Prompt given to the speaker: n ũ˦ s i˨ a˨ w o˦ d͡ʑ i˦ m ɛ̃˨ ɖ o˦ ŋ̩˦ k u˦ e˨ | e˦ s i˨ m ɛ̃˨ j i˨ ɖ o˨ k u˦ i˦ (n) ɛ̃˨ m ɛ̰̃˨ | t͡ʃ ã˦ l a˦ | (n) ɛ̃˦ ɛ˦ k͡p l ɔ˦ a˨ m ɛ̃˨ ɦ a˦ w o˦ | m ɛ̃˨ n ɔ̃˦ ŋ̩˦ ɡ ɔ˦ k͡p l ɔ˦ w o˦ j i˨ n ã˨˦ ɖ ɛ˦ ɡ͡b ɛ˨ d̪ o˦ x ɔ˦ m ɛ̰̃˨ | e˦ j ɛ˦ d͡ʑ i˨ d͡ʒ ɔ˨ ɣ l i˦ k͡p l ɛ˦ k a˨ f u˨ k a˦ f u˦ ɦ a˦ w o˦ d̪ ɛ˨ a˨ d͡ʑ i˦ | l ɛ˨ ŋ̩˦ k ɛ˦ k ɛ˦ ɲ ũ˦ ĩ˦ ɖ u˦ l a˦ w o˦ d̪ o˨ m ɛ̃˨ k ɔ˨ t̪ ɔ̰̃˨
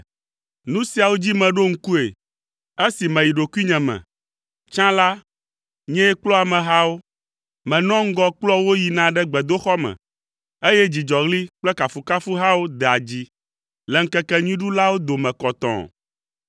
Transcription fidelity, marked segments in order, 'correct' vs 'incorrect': incorrect: ɲ, incorrect: ɲ

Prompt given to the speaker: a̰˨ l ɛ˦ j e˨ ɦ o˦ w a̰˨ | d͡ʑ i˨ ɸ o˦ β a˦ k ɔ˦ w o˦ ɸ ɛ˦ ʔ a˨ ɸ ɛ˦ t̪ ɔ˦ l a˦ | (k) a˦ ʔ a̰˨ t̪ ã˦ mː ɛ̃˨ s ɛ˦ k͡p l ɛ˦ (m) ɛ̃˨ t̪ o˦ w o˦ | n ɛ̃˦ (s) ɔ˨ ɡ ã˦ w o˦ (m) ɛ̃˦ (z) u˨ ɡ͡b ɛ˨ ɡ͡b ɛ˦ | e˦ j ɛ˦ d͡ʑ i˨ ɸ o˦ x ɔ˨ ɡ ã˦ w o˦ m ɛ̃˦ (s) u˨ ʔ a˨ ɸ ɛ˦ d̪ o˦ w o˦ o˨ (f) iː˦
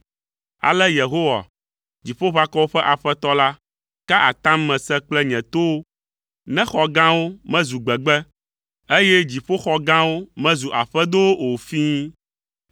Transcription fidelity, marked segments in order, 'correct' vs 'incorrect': correct, incorrect: ɲ, incorrect: x, correct, correct, incorrect: z, correct

